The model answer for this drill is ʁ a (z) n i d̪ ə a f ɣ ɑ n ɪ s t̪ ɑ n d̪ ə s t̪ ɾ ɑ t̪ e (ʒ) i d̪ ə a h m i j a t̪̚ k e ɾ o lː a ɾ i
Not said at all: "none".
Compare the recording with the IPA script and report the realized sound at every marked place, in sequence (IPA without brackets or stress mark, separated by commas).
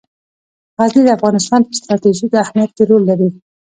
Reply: z, ʒ